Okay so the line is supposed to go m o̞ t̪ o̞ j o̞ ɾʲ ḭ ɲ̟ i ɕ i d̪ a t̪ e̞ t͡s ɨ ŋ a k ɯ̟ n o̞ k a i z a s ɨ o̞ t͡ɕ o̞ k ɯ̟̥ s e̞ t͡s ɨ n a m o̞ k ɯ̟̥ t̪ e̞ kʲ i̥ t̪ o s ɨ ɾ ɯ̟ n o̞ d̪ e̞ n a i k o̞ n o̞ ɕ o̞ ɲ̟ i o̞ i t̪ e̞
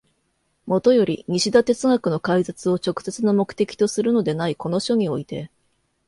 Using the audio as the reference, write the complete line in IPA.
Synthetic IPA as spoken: m o̞ t̪ o̞ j o̞ ɾʲ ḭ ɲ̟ i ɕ i d̪ a t̪ e̞ t͡s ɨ ŋ a k ɯ̟ n o̞ k a i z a t͡s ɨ o̞ t͡ɕ o̞ k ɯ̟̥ s e̞ t͡s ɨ n a m o̞ k ɯ̟̥ t̪ e̞ kʲ i̥ t̪ o s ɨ ɾ ɯ̟ n o̞ d̪ e̞ n a i k o̞ n o̞ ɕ o̞ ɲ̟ i o̞ i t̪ e̞